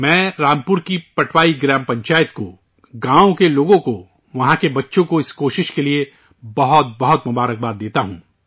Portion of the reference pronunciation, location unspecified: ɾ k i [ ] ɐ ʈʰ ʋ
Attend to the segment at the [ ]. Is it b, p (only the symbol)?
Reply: p